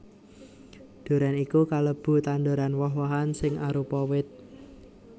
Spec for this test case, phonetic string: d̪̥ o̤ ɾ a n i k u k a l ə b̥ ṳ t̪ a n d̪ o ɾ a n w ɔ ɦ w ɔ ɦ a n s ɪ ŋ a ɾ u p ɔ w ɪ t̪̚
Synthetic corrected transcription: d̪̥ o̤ ɾ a n i k u k a l ə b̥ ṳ t̪ a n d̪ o ɾ a n w ɔ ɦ w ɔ ɦ a n s ɪ ŋ a ɾ u p ɔ w ɪ t̪̚